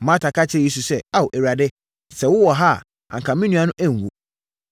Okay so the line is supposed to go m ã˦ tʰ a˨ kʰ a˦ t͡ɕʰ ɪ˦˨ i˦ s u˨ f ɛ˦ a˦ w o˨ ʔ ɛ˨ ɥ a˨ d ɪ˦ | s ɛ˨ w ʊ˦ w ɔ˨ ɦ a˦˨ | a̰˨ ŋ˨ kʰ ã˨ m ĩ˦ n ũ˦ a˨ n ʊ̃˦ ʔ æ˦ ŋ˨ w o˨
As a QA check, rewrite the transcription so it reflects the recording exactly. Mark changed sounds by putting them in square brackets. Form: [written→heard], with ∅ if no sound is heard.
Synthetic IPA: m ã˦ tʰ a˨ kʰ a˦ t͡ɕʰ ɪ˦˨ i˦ s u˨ [f→s] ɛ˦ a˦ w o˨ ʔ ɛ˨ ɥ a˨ d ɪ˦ | s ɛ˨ w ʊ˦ w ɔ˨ ɦ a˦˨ | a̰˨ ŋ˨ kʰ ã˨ m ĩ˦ n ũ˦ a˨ n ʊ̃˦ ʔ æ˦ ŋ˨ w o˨